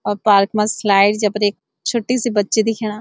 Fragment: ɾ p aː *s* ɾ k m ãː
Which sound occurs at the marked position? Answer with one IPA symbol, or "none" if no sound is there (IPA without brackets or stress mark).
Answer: none